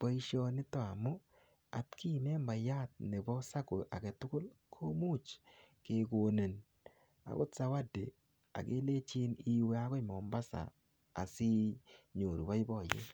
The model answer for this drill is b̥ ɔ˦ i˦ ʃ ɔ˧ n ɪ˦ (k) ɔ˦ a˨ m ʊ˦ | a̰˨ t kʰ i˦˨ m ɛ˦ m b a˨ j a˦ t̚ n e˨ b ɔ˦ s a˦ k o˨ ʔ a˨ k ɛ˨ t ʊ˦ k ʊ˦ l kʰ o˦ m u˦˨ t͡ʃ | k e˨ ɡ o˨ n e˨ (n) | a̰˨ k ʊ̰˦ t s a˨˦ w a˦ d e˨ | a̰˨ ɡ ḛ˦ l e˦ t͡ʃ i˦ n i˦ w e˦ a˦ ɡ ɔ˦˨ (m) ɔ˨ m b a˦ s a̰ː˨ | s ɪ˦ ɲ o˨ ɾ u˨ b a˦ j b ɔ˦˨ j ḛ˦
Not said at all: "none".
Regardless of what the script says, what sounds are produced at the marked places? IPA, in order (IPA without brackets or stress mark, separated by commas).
t, n, m